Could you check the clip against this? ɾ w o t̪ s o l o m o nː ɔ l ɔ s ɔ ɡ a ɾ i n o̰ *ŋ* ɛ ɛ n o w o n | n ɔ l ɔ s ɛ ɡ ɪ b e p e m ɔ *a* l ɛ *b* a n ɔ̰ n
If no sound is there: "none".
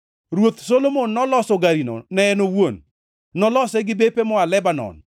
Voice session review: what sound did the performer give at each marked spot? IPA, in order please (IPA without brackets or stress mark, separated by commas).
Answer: n, a, b